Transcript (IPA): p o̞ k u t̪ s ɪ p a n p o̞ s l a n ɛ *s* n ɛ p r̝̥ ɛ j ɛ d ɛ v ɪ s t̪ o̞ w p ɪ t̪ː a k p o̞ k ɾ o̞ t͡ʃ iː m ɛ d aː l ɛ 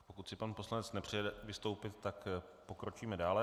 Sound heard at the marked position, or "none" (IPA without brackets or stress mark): t͡s